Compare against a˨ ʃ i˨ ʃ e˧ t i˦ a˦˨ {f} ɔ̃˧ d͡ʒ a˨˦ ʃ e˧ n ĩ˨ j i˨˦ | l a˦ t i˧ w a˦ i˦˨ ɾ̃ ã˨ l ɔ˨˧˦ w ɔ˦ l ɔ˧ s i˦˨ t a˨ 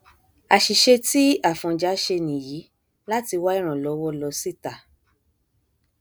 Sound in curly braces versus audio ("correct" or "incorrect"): correct